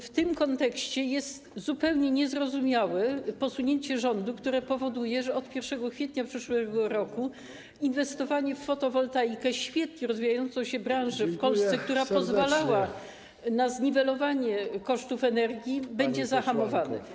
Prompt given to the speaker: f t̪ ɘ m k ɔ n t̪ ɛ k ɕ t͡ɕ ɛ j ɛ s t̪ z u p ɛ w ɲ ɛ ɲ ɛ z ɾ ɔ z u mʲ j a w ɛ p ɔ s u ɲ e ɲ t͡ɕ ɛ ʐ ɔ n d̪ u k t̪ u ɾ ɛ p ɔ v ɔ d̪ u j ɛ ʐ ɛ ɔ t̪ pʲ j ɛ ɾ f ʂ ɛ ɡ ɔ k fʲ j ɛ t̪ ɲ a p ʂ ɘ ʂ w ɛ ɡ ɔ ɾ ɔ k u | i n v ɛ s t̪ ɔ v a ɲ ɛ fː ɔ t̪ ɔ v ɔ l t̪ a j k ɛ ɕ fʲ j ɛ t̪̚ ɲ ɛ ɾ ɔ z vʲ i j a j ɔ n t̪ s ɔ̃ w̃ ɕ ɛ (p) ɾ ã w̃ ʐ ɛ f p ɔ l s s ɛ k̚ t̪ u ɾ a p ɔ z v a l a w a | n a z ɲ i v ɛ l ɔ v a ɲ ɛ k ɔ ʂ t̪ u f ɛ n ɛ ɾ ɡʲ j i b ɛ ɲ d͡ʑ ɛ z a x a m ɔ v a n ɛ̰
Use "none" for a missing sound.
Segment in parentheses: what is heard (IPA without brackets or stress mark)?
b